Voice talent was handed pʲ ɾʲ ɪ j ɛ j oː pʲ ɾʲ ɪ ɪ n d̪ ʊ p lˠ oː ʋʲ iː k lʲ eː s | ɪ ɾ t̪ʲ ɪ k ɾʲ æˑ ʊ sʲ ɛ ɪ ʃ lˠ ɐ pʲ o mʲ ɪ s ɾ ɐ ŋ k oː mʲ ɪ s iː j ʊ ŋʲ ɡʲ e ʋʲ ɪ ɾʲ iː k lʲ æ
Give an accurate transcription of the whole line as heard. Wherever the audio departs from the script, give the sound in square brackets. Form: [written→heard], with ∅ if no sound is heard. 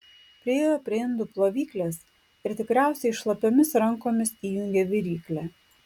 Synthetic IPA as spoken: pʲ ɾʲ ɪ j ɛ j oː pʲ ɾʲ ɪ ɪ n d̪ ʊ p lˠ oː ʋʲ iː k lʲ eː s | ɪ ɾ t̪ʲ ɪ k ɾʲ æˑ ʊ sʲ ɛ ɪ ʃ lˠ ɐ pʲ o mʲ ɪ s ɾ ɐ ŋ k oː mʲ ɪ s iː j ʊ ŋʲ ɡʲ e ʋʲ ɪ ɾʲ iː k lʲ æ